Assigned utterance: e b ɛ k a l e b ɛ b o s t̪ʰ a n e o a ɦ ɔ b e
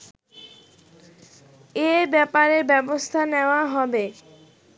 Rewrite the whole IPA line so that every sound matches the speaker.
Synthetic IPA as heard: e b ɛ p a ɾ e b ɛ b o s t̪ʰ a n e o a ɦ ɔ b e